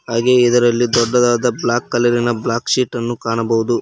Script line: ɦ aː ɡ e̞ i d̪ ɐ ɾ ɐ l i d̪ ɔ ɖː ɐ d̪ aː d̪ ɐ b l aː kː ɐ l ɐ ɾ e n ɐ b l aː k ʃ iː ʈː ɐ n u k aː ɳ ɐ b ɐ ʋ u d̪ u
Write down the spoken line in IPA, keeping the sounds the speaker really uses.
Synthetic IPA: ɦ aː ɡ e̞ i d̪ ɐ ɾ ɐ lː i d̪ ɔ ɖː ɐ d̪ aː d̪ ɐ b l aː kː ɐ l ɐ ɾ i n ɐ b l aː k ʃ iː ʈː ɐ nː u k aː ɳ ɐ b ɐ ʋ u d̪ u